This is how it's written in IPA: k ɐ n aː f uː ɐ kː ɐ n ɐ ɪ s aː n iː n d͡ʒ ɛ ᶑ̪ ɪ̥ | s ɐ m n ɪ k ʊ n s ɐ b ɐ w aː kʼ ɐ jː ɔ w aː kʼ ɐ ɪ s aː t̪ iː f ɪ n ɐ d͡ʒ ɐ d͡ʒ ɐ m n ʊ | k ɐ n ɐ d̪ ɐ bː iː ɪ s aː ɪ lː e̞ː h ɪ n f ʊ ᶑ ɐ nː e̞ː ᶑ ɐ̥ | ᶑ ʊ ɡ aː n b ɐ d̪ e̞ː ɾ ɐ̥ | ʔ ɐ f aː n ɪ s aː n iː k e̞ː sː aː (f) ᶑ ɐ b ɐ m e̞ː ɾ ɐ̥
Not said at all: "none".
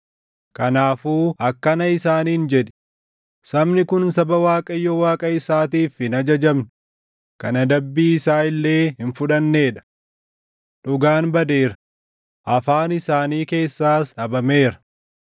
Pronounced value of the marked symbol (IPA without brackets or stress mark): s